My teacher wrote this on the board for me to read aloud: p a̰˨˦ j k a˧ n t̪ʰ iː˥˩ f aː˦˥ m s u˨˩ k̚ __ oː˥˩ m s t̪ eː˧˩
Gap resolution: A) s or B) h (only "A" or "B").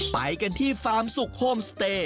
B